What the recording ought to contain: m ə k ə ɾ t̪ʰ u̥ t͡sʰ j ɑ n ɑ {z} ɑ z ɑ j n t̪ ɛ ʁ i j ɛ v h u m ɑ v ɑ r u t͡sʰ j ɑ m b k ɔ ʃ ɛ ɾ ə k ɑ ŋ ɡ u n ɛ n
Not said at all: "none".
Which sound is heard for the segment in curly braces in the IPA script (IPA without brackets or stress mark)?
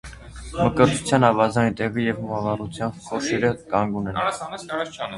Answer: v